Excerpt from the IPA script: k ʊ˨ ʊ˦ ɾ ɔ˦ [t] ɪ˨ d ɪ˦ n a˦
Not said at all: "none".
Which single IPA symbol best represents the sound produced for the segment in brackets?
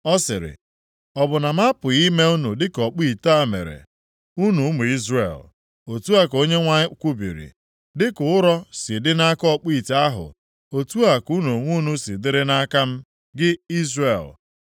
s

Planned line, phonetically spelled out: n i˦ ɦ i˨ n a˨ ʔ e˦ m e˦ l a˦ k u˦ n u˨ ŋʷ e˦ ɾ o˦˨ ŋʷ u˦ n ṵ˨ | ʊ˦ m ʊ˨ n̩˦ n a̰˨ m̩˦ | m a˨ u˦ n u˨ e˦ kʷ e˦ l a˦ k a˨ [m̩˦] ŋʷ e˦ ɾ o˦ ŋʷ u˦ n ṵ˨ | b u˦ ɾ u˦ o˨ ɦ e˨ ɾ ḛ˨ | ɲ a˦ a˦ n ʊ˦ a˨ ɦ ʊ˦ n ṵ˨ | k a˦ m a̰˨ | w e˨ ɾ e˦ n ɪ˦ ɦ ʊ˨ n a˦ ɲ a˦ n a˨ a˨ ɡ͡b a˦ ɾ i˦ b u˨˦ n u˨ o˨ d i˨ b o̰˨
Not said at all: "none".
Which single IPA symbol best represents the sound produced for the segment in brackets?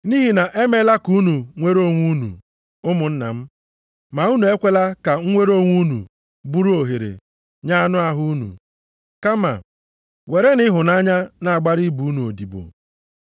ŋ̩˦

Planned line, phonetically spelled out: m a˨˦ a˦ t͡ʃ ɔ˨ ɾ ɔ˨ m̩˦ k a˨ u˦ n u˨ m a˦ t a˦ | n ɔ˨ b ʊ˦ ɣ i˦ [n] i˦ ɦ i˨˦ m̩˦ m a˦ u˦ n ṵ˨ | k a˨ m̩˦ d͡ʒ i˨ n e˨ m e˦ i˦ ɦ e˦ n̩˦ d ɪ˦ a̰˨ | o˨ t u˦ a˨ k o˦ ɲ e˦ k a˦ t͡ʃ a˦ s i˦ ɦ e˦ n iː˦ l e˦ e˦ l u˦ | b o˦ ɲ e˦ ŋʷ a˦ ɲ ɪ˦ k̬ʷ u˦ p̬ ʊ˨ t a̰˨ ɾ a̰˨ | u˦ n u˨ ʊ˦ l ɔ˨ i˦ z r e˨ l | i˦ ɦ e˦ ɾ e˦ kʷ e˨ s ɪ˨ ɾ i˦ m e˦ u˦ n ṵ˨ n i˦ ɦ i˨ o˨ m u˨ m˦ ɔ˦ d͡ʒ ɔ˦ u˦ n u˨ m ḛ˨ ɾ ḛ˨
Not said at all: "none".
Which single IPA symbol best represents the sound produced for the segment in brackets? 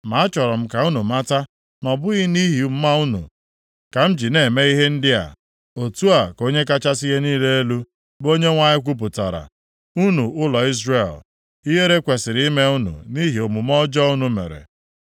n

